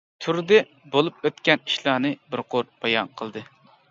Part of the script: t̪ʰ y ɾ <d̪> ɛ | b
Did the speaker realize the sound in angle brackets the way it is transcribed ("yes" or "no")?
yes